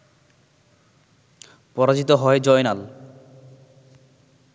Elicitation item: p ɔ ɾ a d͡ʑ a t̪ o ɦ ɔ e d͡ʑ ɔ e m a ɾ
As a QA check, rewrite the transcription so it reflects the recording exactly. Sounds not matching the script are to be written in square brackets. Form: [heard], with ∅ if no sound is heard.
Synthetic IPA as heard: p ɔ ɾ a d͡ʑ [i] t̪ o ɦ ɔ e d͡ʑ ɔ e [n] a [l]